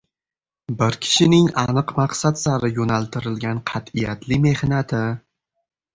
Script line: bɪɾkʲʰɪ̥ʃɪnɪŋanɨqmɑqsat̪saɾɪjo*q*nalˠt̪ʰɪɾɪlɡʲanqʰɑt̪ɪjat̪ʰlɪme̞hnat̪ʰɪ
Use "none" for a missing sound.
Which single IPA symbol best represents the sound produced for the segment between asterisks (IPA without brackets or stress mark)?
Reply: none